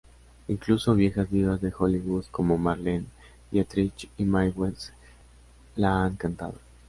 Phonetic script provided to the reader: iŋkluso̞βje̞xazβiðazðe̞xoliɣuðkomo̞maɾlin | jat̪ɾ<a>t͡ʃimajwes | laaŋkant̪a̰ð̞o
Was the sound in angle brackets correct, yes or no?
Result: no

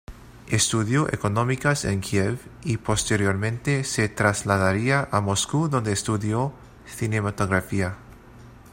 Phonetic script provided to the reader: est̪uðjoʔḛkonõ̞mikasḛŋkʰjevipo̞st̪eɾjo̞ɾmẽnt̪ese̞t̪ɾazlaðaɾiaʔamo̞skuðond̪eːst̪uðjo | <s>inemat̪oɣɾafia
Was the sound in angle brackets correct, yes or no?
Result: no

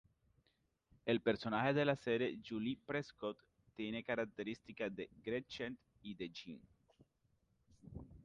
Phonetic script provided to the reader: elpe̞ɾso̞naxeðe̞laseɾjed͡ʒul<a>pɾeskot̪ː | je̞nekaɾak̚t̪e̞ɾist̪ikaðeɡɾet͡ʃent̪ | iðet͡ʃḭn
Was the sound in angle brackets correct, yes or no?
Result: no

